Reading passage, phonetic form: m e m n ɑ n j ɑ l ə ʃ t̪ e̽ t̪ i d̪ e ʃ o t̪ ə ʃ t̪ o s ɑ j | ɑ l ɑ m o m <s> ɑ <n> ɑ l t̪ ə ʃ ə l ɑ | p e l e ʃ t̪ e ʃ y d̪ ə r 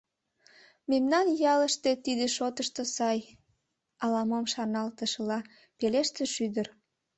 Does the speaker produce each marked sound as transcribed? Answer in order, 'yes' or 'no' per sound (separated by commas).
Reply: no, yes